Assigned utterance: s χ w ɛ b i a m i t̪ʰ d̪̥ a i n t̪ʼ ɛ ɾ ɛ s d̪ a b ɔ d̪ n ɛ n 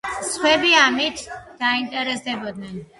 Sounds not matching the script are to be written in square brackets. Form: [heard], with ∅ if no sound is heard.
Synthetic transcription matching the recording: s χ w ɛ b i a m i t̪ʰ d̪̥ a i n t̪ʼ ɛ ɾ ɛ s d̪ [ɛ] b ɔ d̪ n ɛ n